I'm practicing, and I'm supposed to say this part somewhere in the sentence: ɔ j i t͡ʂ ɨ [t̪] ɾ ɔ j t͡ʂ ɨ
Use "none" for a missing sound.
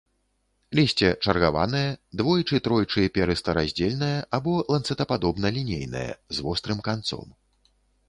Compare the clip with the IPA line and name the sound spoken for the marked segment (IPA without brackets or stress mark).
t̪